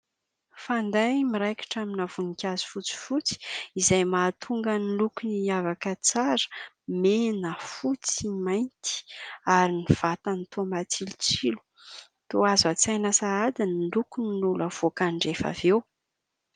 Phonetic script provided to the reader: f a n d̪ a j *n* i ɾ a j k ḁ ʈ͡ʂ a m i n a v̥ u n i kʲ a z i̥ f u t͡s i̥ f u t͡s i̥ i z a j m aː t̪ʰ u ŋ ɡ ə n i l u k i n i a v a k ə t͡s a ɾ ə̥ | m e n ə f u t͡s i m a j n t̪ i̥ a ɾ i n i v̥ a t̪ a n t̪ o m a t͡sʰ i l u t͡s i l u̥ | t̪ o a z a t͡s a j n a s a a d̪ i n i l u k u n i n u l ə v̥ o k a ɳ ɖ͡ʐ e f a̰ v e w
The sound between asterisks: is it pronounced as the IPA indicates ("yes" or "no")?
no